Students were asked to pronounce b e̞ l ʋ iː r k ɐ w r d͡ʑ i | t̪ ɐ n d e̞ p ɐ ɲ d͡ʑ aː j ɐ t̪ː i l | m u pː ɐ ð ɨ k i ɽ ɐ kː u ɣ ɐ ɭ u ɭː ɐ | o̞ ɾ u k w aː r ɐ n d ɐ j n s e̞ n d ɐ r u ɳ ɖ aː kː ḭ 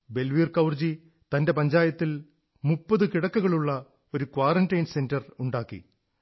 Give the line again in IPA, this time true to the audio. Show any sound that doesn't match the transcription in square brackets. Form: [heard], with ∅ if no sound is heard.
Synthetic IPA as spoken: b e̞ l ʋ iː r k ɐ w r d͡ʑ i | t̪ ɐ n d e̞ p ɐ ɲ d͡ʑ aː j ɐ t̪ː i l | m u pː ɐ ð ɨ k i ɽ ɐ kː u ɣ ɐ ɭ u ɭː ɐ | o̞ ɾ u k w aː r ɐ n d ɐ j n s e̞ n d ɐ r u ɳ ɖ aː kː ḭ